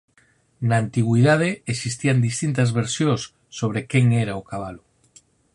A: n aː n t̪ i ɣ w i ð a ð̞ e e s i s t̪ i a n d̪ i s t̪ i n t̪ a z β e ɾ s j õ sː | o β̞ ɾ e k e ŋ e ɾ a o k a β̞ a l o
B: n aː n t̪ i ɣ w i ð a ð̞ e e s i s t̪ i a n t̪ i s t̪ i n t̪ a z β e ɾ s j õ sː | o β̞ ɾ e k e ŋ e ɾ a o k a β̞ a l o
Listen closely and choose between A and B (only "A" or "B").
A